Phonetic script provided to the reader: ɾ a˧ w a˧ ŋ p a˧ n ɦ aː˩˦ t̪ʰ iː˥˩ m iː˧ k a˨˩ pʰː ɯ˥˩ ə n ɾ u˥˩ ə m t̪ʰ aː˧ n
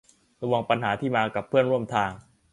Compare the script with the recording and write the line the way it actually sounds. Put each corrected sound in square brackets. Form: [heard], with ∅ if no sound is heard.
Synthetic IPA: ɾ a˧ w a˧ ŋ p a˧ n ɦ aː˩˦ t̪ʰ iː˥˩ m [aː˧] k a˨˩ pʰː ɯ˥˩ ə n ɾ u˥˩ ə m t̪ʰ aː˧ [ŋ]

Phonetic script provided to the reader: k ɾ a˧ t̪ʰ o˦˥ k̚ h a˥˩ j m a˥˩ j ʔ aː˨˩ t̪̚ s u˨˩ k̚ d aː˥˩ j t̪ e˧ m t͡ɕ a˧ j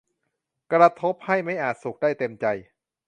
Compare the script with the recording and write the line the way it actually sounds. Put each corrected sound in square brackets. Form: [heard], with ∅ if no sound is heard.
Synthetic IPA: k ɾ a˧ t̪ʰ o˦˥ [p̚] h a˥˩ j m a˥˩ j ʔ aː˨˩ t̪̚ s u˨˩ k̚ d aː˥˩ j t̪ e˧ m t͡ɕ a˧ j

